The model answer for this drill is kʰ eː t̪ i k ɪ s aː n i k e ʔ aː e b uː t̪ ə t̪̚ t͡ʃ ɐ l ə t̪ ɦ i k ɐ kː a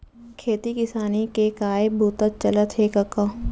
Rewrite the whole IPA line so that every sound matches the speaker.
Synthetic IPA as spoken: kʰ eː t̪ i k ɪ s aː n i k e k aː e b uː t̪ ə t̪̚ t͡ʃ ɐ l ə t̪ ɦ e k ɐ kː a